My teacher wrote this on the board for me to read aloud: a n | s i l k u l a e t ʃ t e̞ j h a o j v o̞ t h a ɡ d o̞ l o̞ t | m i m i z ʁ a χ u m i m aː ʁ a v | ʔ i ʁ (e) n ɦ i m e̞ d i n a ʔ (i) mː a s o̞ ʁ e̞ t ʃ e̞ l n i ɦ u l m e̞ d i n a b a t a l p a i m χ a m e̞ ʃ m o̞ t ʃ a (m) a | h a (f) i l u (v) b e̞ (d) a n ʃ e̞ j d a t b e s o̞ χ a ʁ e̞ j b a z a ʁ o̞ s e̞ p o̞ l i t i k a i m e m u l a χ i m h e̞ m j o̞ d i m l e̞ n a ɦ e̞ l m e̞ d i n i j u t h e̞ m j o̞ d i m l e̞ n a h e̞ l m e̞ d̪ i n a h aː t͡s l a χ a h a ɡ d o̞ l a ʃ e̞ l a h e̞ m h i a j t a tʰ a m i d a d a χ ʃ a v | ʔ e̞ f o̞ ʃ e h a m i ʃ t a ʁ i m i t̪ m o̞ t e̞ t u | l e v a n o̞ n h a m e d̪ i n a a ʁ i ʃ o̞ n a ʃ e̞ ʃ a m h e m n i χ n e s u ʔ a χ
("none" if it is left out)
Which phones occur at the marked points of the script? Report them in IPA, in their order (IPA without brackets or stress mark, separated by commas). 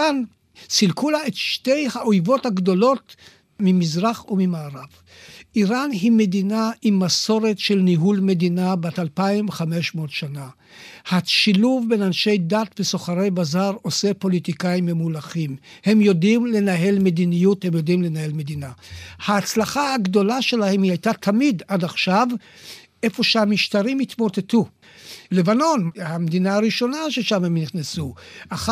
a, i, n, ʃ, v, n